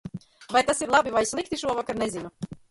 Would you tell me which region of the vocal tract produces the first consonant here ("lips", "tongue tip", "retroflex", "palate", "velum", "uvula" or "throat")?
lips